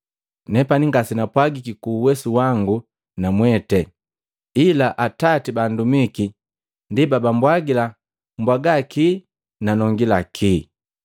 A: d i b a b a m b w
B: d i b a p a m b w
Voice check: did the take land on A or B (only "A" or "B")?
A